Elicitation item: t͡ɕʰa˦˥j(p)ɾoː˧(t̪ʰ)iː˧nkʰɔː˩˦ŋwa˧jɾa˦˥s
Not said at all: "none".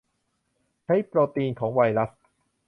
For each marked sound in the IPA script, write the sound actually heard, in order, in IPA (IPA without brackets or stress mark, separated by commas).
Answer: p, t̪